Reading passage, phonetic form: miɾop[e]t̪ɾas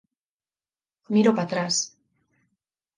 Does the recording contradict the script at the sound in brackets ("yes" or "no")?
yes